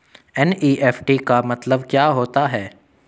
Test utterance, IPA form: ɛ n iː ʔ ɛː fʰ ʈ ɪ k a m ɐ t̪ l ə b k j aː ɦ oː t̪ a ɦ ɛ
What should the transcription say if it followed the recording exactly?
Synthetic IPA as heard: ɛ n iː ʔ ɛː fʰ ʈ i k a m ɐ t̪ l ə b k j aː ɦ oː t̪ a ɦ ɛː